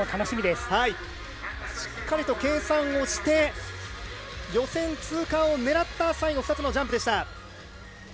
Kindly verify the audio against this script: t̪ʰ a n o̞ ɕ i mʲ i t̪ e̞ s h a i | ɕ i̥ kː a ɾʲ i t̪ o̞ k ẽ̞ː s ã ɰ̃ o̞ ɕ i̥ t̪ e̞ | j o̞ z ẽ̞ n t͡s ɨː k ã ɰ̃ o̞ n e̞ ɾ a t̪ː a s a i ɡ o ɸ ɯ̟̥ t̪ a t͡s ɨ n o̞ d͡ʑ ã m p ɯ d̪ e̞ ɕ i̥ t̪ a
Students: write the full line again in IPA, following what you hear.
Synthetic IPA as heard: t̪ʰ a n o̞ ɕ i mʲ i d̪ e̞ s h a i | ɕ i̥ kː a ɾʲ i t̪ o̞ k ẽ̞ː s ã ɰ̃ o̞ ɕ i̥ t̪ e̞ | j o̞ s ẽ̞ n t͡s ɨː k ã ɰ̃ o̞ n e̞ ɾ a t̪ː a s a i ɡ o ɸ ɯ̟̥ t̪ a t͡s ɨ n o̞ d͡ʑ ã m p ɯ d̪ e̞ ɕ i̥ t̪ a

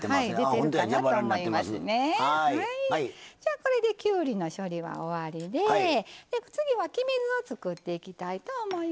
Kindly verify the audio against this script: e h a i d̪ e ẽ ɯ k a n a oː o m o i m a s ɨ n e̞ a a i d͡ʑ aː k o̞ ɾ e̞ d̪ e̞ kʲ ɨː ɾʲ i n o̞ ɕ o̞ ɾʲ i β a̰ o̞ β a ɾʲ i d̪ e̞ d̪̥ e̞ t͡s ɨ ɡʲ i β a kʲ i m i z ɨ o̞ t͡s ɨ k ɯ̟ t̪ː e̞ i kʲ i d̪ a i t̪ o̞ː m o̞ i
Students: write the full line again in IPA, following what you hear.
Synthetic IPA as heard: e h a i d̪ e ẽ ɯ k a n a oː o m o i m a s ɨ n e̞ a a i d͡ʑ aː k o̞ ɾ e̞ d̪ e̞ kʲ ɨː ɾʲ i n o̞ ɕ o̞ ɾʲ i β a̰ o̞ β a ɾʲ i d̪ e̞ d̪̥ e̞ t͡s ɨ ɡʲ i β a kʲ i m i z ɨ o̞ t͡s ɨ k ɯ̟ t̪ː e̞ i kʲ i t̪ a i t̪ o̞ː m o̞ i

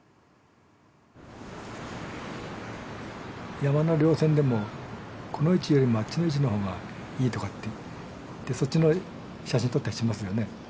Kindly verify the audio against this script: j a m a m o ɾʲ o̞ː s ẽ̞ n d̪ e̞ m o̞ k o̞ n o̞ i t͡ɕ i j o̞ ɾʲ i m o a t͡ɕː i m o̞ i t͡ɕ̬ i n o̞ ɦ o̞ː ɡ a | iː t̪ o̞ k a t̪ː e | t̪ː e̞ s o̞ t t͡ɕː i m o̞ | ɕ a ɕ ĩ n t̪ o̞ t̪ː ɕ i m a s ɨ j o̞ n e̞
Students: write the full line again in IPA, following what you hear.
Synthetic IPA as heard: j a m a n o ɾʲ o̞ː s ẽ̞ n d̪ e̞ m o̞ k o̞ n o̞ i t͡ɕ i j o̞ ɾʲ i m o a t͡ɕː i n o̞ i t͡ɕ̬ i n o̞ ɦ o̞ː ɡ a | iː t̪ o̞ k a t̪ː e | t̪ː e̞ s o̞ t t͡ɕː i n o̞ | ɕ a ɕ ĩ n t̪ o̞ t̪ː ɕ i m a s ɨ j o̞ n e̞

